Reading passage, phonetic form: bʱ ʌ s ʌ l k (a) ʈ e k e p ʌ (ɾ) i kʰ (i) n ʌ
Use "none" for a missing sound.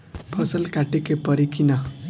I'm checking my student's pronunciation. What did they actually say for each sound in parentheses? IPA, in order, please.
a, ɾ, i

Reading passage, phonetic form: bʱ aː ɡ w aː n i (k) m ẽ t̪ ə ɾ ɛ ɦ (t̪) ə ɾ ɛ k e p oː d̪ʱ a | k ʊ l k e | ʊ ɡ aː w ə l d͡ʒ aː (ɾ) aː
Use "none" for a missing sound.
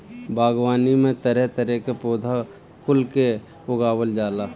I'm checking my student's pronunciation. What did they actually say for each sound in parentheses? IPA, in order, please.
none, t̪, l

